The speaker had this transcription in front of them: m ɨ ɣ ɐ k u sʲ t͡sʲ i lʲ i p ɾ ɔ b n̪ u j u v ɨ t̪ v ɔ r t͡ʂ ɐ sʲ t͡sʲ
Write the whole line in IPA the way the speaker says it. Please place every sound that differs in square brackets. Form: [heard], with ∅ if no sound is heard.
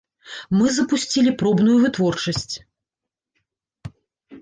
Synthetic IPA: m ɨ [z] ɐ [p] u sʲ t͡sʲ i lʲ i p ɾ ɔ b n̪ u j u v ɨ t̪ v ɔ r t͡ʂ ɐ sʲ t͡sʲ